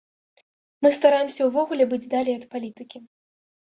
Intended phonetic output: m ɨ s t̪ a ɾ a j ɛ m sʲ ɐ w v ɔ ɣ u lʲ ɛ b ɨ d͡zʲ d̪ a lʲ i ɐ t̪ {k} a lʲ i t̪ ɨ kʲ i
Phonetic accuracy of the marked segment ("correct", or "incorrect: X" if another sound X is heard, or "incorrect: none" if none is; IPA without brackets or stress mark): incorrect: p